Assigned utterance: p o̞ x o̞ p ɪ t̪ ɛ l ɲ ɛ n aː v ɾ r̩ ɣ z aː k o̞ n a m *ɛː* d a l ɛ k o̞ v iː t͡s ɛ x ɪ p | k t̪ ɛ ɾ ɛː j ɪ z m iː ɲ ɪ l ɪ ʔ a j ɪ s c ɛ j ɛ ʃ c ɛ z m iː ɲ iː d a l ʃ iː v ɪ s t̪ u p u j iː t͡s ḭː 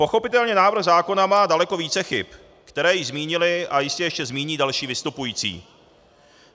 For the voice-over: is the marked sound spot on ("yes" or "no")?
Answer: no